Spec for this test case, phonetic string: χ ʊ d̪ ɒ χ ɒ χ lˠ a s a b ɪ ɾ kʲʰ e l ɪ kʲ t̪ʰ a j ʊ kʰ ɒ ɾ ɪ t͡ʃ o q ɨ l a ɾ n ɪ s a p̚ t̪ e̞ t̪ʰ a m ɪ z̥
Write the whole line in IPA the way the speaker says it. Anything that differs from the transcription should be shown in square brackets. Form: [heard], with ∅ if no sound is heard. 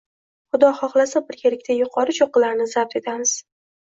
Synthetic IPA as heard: χ ʊ d̪ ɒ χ ɒ χ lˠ a s a b ɪ ɾ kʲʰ e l ɪ kʲ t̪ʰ a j ʊ [qʰ] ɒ ɾ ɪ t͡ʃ o q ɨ l a ɾ n ɪ [z] a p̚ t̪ e̞ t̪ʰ a m ɪ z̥